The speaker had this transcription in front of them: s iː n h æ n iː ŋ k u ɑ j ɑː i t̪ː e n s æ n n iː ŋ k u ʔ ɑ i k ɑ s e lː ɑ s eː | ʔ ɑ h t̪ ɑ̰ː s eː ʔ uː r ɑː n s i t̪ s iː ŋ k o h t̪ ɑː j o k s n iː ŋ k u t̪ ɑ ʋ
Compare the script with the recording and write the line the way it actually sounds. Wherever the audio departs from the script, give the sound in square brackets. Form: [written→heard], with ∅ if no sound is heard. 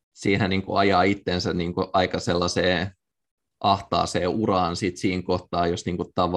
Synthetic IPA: s iː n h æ n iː ŋ k u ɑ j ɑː i t̪ː e n s æ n n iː ŋ k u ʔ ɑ i k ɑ s e lː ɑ s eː | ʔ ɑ h t̪ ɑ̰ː s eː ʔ [uː→u] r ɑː n s i t̪ s iː ŋ k o h t̪ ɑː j o [k→∅] s n iː ŋ k u t̪ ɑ ʋ